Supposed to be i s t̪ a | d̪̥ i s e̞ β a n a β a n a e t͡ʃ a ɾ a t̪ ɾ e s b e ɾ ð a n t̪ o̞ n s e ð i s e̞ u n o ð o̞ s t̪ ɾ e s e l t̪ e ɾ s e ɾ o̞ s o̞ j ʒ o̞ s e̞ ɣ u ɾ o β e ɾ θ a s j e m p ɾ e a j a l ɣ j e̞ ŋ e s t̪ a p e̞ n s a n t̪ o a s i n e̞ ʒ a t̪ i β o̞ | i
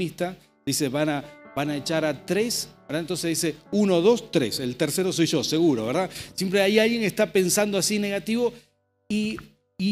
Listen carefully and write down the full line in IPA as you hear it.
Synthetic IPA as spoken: i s t̪ a | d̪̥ i s e̞ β a n a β a n a e t͡ʃ a ɾ a t̪ ɾ e s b e ɾ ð a n t̪ o̞ n s e ð i s e̞ u n o ð o̞ s t̪ ɾ e s e l t̪ e ɾ s e ɾ o̞ s o̞ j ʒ o̞ s e̞ ɣ u ɾ o β e ɾ ð a s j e m p ɾ e a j a l ɣ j e̞ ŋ e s t̪ a p e̞ n s a n d̪ o a s i n e̞ ɣ a t̪ i β o̞ | i